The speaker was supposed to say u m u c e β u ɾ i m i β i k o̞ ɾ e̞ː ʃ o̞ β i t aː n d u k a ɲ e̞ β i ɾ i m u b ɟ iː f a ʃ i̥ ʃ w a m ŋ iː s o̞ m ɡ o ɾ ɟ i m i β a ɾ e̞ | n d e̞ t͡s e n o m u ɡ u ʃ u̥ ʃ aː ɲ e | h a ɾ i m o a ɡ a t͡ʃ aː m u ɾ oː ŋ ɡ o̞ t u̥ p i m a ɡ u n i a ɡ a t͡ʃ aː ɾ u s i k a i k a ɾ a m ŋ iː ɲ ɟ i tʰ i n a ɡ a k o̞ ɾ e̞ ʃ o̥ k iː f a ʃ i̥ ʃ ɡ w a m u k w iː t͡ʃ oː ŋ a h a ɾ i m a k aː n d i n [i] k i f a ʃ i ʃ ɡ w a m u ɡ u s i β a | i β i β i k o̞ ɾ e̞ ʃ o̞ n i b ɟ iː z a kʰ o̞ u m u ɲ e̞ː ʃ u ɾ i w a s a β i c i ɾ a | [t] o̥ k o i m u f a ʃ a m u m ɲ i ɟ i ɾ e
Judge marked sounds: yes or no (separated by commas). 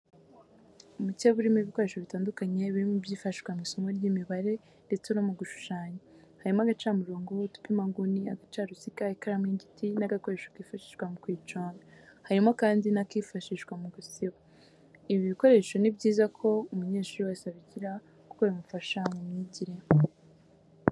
no, no